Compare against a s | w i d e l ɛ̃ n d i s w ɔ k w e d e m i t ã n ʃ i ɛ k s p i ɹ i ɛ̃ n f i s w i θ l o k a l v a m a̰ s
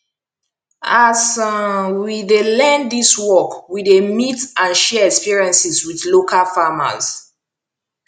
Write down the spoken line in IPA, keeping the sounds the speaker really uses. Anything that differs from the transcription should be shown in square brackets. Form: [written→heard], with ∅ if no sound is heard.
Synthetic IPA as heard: a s | w i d e l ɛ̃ n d i s w ɔ k w [e→i] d e m i t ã n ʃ [i→ɛ] ɛ k s p i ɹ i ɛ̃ n [f→s] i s w i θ l o k a l [v→f] a m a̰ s

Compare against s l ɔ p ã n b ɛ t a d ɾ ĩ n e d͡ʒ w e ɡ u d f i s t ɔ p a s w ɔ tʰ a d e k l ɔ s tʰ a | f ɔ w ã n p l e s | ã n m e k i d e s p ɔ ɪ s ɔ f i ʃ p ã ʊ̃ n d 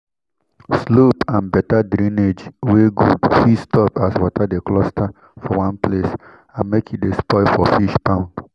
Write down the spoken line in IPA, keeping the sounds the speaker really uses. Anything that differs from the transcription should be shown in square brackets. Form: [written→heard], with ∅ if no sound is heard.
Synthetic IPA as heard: s l [ɔ→o] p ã n b ɛ t a d ɾ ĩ n e d͡ʒ w e ɡ u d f i s t ɔ p a s w ɔ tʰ a d e k l ɔ s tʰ a | f ɔ w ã n p l e s | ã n m e k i d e s p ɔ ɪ [s→f] ɔ f i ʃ p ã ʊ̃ n d

